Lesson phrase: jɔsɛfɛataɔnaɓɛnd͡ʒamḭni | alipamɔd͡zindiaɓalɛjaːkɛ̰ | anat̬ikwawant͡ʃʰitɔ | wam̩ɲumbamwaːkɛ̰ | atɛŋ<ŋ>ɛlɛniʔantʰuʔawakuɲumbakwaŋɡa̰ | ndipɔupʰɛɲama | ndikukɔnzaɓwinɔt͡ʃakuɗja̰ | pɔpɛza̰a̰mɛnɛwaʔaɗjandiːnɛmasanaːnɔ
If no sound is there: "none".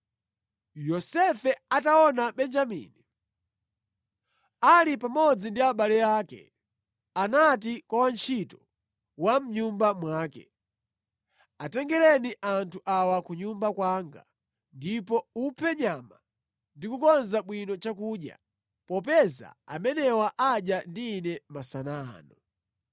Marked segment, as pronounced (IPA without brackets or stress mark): ɡ